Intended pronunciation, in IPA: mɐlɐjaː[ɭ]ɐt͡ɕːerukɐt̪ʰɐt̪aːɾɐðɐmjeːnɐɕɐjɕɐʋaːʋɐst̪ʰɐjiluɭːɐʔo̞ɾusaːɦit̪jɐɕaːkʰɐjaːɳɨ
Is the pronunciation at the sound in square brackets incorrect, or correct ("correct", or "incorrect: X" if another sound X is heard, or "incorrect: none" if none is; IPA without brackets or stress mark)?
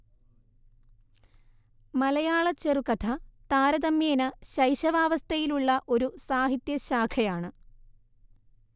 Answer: correct